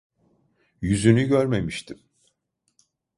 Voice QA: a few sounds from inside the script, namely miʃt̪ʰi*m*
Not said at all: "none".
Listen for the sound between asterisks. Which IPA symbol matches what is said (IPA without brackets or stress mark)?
m